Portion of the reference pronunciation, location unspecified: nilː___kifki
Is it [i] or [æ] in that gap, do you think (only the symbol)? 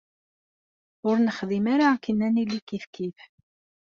i